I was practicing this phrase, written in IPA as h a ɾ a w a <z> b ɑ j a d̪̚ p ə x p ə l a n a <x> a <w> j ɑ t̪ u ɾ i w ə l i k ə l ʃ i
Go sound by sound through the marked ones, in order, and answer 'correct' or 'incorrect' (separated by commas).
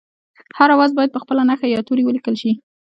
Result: correct, correct, incorrect